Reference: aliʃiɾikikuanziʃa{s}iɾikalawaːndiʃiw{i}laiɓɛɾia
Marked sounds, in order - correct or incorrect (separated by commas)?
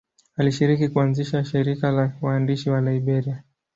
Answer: incorrect, incorrect